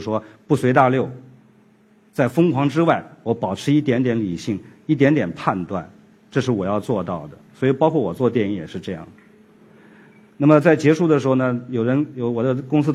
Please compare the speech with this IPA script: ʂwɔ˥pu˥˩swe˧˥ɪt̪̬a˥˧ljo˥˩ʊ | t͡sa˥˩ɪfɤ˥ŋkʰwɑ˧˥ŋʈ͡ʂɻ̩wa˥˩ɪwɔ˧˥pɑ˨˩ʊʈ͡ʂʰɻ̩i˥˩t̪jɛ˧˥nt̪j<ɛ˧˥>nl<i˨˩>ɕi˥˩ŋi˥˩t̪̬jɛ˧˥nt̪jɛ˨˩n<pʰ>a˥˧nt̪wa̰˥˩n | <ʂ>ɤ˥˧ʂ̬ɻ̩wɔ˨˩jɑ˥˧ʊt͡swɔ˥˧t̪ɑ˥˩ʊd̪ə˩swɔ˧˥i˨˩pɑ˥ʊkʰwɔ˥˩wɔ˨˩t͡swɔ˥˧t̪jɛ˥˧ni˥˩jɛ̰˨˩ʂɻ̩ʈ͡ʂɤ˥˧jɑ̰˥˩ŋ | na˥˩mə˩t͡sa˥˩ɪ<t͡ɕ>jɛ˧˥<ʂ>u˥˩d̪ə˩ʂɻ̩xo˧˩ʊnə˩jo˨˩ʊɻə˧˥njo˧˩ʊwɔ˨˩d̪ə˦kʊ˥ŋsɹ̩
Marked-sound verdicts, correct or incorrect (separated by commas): correct, correct, correct, incorrect, correct, correct